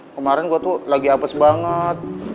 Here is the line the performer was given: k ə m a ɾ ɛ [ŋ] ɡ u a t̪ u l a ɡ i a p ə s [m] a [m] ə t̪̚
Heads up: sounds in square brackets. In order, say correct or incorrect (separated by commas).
incorrect, incorrect, incorrect